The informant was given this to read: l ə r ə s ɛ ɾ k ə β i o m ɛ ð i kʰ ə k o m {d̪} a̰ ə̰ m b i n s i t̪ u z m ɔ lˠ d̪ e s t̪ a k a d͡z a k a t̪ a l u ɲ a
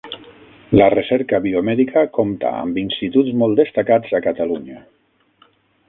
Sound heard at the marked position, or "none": t̪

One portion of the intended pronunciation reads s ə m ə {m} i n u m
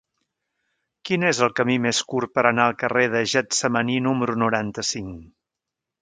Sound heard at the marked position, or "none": n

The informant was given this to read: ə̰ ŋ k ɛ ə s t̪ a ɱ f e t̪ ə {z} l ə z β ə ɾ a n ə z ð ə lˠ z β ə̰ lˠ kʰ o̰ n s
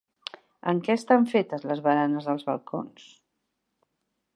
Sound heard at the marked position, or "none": z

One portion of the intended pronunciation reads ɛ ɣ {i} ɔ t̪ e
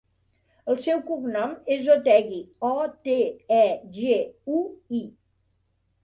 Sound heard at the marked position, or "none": i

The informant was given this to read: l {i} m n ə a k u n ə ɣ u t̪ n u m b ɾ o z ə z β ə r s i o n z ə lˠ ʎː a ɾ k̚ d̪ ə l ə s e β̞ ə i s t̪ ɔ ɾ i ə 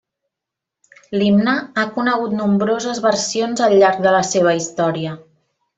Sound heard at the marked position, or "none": i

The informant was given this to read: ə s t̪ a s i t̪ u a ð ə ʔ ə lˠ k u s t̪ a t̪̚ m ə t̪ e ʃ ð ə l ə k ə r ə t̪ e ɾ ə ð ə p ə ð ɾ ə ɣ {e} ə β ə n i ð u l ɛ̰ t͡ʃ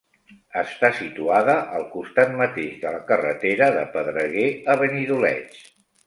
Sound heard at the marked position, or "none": e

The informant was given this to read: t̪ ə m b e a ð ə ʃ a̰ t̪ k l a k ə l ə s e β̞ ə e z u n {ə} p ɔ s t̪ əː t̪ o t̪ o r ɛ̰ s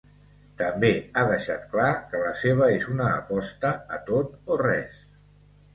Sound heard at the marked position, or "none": əː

